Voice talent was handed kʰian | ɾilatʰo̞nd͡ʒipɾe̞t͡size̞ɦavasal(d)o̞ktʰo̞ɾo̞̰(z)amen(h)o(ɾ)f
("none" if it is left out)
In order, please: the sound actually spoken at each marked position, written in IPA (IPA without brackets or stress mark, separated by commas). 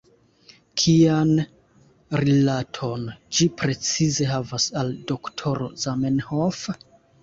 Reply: d, z, h, none